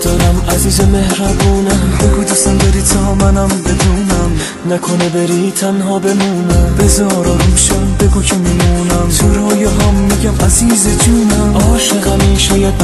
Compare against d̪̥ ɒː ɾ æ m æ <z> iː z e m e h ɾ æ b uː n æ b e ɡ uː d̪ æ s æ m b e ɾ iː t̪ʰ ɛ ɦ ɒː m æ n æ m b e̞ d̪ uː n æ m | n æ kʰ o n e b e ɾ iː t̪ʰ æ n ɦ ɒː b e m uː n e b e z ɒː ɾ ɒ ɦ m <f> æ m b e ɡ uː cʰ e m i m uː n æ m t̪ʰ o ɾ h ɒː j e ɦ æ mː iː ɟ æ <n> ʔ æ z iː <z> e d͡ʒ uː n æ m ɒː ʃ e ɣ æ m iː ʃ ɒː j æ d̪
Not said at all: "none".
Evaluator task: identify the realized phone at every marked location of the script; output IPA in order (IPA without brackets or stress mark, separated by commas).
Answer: z, ʃ, m, z